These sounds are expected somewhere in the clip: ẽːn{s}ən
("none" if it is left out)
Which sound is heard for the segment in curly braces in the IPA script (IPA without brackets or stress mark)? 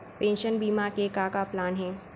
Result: ʃ